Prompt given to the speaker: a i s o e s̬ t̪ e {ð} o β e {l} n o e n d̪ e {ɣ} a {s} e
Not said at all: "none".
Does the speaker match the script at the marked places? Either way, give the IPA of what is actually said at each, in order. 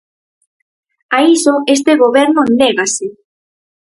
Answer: ɣ, ɾ, ɣ, s

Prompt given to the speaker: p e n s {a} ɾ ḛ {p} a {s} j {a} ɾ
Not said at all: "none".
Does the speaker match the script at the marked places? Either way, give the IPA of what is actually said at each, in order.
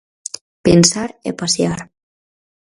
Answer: a, p, s, a

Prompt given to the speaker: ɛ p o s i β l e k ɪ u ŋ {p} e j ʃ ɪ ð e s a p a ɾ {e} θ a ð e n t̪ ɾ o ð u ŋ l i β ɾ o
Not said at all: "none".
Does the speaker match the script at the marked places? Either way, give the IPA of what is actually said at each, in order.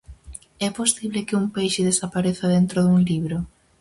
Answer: p, e

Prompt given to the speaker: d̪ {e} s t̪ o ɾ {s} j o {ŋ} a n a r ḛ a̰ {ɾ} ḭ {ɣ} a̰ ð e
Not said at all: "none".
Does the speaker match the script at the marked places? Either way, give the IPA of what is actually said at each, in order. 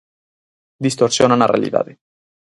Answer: i, s, n, l, ð

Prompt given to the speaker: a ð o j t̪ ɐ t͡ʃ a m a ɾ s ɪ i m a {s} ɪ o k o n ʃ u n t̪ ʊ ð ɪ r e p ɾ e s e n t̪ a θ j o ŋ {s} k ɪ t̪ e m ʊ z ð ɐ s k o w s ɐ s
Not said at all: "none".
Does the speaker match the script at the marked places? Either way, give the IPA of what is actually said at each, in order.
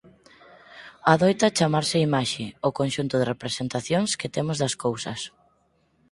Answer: ʃ, s

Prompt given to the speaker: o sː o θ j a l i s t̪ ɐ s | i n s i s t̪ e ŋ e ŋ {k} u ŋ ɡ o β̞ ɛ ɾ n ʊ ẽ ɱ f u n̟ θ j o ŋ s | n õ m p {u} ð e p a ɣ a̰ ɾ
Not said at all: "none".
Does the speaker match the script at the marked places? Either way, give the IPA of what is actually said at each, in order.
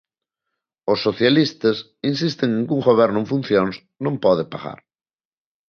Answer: k, ɔ

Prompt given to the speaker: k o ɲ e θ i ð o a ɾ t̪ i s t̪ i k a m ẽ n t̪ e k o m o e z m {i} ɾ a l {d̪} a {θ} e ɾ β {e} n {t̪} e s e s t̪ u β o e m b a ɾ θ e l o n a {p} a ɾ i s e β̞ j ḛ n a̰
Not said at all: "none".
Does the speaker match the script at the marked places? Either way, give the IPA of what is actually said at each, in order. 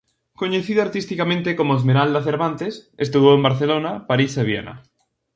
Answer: e, d̪, θ, a, t̪, p

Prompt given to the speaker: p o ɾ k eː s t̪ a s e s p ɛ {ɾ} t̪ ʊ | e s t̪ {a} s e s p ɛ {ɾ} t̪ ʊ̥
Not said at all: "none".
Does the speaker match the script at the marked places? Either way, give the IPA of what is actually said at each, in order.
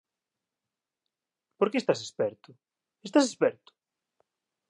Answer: ɾ, a, ɾ

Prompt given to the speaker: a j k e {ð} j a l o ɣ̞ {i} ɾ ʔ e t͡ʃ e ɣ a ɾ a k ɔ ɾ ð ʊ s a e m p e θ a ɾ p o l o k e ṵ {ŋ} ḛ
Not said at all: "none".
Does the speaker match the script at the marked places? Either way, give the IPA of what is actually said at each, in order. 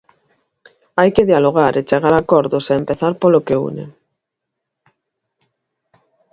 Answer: ð, a, n

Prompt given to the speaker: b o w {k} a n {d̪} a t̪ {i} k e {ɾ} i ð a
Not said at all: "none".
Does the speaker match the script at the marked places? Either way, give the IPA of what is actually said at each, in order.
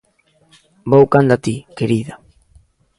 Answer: k, d̪, i, ɾ

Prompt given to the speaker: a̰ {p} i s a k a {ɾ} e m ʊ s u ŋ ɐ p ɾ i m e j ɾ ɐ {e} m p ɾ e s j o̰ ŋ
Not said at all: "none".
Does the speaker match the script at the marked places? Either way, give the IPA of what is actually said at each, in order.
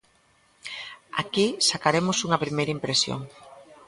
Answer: k, ɾ, i

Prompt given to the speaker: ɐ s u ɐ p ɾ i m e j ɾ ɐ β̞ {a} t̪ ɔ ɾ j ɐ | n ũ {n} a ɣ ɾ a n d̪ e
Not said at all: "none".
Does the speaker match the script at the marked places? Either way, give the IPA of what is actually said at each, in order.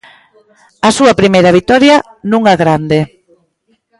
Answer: i, ŋ

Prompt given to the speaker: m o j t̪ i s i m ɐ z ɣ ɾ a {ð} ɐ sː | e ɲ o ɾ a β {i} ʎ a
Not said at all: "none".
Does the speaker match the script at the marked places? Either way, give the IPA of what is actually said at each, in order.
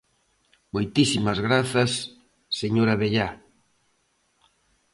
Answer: θ, e

